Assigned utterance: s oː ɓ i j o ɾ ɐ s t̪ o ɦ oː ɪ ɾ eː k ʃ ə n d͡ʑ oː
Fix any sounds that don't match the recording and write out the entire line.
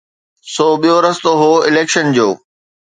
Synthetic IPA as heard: s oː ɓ i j o ɾ ɐ s t̪ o ɦ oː ɪ l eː k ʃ ə n d͡ʑ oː